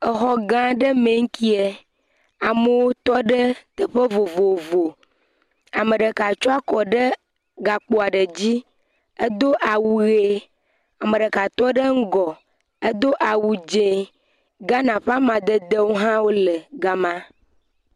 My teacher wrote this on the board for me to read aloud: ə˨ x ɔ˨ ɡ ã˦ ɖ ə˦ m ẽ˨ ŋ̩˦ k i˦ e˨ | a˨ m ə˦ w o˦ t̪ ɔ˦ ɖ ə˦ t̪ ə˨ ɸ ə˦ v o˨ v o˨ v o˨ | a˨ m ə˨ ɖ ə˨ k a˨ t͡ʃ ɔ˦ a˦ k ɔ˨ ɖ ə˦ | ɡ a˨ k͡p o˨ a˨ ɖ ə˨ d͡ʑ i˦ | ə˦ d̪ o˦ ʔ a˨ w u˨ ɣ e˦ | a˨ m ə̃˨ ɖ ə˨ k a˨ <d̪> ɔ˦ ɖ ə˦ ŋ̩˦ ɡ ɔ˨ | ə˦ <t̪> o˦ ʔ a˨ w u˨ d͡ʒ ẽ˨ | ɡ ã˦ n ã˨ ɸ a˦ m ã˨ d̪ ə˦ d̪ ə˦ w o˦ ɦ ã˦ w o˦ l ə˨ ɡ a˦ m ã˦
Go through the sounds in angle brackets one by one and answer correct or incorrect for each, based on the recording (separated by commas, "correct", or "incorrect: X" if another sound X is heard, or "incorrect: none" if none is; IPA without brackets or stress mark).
incorrect: t̪, incorrect: d̪